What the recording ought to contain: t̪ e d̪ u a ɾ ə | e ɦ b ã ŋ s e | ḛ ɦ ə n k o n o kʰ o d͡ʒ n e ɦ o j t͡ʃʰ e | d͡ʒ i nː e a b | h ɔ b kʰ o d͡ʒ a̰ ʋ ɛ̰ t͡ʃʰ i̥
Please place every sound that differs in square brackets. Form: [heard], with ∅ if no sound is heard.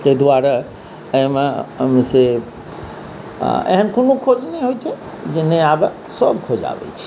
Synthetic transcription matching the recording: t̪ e d̪ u a ɾ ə | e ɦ [m] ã [m] s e | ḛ ɦ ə n k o n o kʰ o d͡ʒ n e ɦ o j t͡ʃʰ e | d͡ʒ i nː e a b | [s] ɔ b kʰ o d͡ʒ a̰ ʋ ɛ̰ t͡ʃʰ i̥